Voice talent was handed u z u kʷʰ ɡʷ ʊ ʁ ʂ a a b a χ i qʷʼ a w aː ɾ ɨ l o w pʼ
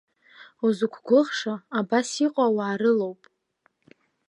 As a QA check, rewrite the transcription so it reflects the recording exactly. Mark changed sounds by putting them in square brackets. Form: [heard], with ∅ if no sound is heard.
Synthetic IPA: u z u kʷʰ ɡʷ ʊ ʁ ʂ a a b a [s] i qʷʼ a w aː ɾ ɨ l o w pʼ